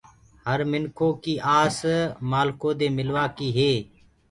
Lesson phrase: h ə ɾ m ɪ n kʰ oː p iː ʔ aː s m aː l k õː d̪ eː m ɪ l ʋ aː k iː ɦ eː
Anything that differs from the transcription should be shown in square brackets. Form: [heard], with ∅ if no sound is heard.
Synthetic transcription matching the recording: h ə ɾ m ɪ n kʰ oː [k] iː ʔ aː s m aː l k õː d̪ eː m ɪ l ʋ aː k iː ɦ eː